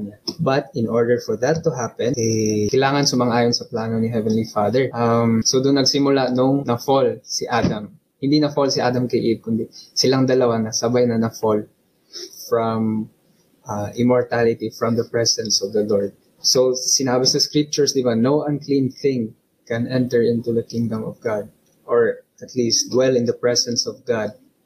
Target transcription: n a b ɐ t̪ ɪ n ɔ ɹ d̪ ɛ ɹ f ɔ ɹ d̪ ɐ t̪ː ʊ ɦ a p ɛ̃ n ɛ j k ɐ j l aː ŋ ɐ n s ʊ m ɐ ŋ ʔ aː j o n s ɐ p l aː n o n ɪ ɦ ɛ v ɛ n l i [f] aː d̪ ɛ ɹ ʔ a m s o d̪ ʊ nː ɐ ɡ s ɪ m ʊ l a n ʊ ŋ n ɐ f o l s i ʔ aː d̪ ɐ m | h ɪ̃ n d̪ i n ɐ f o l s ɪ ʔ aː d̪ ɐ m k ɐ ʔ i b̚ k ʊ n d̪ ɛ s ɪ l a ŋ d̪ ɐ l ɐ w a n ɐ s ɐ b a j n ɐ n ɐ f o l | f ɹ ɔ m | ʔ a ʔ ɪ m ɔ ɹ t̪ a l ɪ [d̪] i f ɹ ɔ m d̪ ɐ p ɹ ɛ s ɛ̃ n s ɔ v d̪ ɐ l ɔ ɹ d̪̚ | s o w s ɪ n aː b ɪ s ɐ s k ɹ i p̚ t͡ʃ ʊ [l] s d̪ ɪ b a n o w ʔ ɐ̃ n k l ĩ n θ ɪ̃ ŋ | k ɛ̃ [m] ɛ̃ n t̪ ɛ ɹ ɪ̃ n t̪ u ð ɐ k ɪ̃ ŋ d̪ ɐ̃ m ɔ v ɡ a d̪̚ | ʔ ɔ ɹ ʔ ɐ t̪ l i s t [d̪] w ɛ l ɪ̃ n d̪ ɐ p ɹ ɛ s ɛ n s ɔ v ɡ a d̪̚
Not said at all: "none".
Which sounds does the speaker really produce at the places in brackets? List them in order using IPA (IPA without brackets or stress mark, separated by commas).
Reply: f, t̪, ɹ, n, d̪